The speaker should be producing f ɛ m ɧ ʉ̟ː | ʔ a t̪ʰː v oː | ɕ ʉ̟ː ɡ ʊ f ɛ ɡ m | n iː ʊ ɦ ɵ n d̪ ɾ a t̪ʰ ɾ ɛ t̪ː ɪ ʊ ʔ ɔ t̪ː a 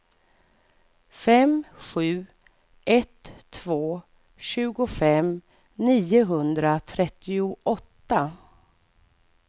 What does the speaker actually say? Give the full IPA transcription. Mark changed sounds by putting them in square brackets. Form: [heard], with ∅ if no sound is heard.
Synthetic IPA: f ɛ m ɧ ʉ̟ː | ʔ [ɛ] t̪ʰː v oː | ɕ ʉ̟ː ɡ ʊ f ɛ [∅] m | n iː ʊ ɦ ɵ n d̪ ɾ a t̪ʰ ɾ ɛ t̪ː ɪ ʊ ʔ ɔ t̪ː a